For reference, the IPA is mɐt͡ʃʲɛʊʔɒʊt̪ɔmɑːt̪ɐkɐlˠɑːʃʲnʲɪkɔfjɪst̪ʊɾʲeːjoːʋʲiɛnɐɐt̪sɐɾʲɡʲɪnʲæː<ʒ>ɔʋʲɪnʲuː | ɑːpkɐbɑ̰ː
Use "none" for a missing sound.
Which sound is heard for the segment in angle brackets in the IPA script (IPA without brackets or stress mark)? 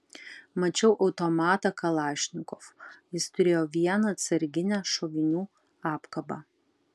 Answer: ʃ